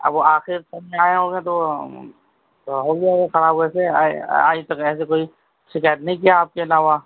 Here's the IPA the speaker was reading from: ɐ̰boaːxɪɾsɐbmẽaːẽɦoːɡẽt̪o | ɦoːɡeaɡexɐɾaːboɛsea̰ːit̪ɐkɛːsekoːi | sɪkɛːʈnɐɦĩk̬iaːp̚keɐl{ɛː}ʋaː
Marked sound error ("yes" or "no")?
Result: yes